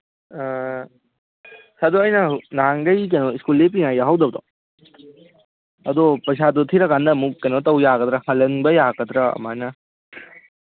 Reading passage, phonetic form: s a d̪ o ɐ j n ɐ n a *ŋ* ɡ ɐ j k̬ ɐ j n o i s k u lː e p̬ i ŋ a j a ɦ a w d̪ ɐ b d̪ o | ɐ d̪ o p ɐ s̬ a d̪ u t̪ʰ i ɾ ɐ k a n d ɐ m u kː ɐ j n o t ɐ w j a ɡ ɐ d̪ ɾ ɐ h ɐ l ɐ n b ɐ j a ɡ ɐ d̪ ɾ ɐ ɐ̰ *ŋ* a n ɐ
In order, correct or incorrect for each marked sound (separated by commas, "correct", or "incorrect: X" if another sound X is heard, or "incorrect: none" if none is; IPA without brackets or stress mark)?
correct, incorrect: m